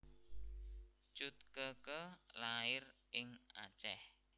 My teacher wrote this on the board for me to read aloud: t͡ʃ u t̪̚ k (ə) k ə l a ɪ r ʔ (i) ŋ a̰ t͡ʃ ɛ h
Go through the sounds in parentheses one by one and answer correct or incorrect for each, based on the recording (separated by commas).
correct, incorrect